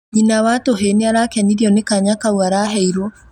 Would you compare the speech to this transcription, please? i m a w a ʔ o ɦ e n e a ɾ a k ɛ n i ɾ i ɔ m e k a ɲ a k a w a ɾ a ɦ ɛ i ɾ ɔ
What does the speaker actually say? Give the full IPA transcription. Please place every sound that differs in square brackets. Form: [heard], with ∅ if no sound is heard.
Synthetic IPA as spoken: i [n] a w a [t] o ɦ e n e a ɾ a k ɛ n i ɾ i ɔ [n] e k a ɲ a k a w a ɾ a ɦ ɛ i ɾ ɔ